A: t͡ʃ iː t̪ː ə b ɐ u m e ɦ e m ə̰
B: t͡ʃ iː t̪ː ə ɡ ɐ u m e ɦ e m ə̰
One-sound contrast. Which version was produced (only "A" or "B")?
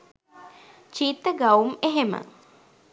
B